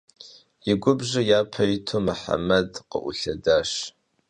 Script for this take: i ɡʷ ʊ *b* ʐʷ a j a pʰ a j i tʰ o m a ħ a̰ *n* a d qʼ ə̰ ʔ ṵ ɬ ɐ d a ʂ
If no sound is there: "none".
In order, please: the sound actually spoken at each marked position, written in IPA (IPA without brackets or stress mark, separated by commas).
b, m